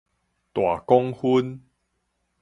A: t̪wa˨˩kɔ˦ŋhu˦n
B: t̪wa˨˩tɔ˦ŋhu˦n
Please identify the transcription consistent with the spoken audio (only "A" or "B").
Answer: A